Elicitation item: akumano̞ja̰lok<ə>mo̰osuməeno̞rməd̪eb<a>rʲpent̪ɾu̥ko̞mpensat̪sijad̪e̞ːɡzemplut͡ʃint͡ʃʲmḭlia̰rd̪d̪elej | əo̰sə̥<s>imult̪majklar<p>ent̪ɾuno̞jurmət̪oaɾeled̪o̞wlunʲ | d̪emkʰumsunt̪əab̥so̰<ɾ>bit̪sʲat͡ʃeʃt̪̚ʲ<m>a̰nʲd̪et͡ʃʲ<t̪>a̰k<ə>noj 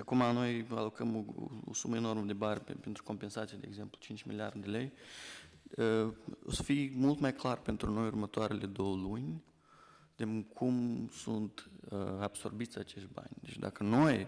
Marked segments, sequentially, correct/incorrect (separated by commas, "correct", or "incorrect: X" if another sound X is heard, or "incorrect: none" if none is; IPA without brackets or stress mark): correct, correct, incorrect: f, correct, incorrect: r, incorrect: b, incorrect: d̪, correct